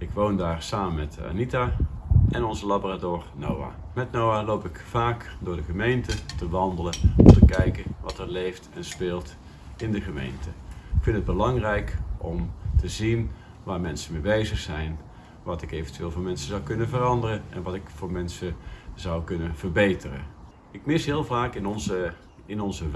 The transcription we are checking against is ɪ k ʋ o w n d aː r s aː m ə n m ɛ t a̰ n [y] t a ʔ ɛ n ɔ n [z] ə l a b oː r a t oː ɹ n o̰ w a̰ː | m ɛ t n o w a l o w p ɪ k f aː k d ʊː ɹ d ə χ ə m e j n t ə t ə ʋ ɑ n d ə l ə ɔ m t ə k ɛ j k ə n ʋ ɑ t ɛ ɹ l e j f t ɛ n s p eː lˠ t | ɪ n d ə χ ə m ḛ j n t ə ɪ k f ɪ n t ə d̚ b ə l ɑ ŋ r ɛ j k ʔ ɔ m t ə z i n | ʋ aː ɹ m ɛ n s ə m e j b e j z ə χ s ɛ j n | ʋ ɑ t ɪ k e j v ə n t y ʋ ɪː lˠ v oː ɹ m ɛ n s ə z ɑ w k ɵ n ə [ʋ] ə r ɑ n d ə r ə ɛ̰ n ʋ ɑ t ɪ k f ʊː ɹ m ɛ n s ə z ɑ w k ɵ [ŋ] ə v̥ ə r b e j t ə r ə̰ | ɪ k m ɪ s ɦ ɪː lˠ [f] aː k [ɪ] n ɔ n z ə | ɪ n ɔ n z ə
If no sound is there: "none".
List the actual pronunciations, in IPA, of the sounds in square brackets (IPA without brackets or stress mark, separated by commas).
i, z, v, n, v, ɪ